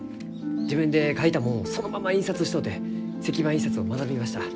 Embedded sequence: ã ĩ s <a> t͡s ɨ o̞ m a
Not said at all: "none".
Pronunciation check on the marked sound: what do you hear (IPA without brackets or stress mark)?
a